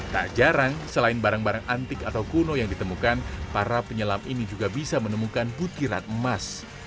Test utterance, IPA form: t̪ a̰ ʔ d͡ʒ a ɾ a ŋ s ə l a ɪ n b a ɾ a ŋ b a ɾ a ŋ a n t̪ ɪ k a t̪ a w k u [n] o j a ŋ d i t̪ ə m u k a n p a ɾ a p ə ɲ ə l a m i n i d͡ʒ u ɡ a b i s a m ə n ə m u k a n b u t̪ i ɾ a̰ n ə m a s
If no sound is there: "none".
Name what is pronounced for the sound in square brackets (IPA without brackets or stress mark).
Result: n